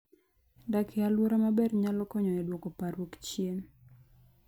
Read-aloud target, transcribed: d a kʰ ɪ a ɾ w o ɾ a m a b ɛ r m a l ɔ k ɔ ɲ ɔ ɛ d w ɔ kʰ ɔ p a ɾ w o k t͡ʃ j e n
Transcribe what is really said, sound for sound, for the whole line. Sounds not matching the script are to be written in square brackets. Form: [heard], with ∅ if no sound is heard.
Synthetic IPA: d a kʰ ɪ a [l] w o ɾ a m a b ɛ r [ɲ] a l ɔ k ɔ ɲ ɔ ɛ d w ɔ [k] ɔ p a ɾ w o k t͡ʃ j e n